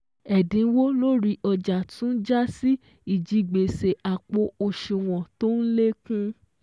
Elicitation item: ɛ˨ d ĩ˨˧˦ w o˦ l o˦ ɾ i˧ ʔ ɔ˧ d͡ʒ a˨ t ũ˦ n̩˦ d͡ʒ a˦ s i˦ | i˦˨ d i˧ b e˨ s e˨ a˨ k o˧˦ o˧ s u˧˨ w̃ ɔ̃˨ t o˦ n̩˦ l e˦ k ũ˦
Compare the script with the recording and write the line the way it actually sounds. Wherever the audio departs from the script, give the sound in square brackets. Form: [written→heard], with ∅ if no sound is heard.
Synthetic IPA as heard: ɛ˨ d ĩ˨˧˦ w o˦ l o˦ ɾ i˧ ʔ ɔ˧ d͡ʒ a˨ t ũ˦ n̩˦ d͡ʒ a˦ s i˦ | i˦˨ [d→d͡ʒ] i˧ [b→ɡ͡b] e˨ s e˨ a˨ [k→k͡p] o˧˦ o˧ [s→ʃ] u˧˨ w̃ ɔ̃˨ t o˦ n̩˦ l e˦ k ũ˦